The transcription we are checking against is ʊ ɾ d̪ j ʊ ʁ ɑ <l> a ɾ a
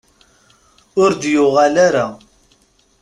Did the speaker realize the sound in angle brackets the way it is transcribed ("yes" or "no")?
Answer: yes